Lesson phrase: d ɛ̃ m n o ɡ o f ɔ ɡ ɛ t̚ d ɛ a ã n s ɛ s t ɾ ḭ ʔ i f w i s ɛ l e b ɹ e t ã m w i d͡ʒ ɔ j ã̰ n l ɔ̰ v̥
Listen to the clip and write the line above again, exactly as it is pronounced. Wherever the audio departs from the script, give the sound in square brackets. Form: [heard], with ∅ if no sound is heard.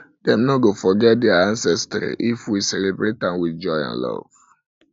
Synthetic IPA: d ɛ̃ m n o ɡ o f ɔ ɡ ɛ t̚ d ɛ a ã n s ɛ s t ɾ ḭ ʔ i f w i s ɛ l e b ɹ e t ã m w i d͡ʒ ɔ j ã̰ n l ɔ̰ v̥